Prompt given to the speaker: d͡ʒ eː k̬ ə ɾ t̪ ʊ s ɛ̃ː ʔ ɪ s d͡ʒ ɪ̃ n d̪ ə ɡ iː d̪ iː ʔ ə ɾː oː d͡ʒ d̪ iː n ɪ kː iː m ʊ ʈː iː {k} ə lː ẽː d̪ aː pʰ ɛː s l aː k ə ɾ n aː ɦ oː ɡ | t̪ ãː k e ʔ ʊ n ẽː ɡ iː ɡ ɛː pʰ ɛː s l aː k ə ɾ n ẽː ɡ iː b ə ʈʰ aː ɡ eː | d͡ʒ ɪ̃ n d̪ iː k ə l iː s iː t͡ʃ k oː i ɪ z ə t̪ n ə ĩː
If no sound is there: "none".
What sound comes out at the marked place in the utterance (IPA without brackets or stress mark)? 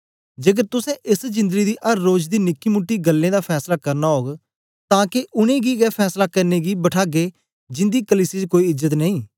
ɡ